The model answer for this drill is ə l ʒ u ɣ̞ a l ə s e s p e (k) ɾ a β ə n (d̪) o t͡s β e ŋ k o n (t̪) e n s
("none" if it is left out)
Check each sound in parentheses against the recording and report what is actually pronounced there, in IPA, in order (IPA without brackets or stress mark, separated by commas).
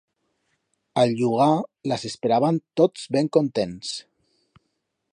none, t̪, t̪